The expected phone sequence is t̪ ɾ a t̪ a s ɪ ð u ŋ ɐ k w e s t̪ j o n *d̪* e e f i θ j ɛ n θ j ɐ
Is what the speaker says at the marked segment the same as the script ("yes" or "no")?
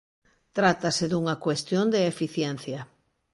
yes